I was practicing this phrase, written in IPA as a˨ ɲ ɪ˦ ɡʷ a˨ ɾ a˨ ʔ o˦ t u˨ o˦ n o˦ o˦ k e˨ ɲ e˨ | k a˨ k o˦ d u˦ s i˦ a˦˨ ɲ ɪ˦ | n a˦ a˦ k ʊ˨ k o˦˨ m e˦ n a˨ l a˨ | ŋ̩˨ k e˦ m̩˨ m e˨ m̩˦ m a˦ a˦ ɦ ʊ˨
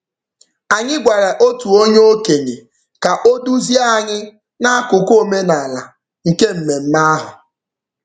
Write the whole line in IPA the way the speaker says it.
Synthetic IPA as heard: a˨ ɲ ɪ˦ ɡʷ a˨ ɾ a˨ ʔ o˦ t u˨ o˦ ɲ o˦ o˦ k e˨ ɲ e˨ | k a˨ ʔ o˦ d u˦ z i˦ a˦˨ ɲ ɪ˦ | n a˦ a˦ k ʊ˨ k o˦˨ m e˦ n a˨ l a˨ | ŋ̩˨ k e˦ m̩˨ m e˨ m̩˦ m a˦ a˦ ɦ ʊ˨